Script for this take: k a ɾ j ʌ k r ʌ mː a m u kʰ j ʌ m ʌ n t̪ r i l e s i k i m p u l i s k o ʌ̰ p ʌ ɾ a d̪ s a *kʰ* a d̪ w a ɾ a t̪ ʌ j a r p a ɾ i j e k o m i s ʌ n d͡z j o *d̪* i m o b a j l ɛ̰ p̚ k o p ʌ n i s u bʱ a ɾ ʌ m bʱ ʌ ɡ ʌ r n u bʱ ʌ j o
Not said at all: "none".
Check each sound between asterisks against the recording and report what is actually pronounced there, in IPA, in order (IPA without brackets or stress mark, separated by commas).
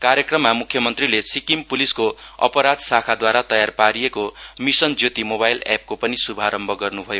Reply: kʰ, t̪